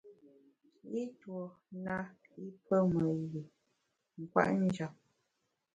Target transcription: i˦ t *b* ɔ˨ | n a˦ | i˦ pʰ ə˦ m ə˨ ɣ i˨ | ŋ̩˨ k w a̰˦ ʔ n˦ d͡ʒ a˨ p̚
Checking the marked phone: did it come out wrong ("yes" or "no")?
yes